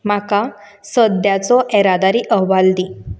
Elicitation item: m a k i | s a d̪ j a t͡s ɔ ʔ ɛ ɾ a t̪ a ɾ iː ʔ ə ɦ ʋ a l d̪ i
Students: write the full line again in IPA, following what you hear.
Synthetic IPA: m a k a | s ə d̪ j a t͡s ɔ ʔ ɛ ɾ a d̪ a ɾ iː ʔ ə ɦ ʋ a l d̪ i